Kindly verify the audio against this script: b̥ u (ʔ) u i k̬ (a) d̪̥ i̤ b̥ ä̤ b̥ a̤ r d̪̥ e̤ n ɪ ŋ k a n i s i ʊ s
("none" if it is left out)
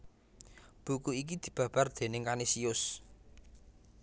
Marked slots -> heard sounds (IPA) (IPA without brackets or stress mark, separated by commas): k, i